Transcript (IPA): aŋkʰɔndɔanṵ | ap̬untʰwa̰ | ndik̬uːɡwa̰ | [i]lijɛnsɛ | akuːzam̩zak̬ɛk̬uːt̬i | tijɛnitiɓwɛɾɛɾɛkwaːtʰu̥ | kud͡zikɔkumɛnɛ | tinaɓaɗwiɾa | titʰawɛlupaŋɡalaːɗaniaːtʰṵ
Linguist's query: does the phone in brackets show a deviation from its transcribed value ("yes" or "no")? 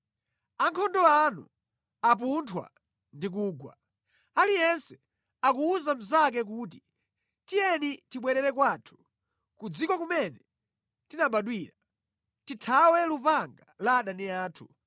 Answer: yes